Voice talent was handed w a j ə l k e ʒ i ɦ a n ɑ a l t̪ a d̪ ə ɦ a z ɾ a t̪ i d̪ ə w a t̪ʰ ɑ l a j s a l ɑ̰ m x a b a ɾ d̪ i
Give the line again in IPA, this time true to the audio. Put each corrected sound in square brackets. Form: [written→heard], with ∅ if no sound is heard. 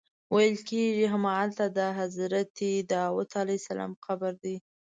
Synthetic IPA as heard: w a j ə l k e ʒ i ɦ a [n→m] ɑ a l t̪ a d̪ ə ɦ a z ɾ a t̪ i d̪ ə w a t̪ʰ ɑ l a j s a l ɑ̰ m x a b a ɾ d̪ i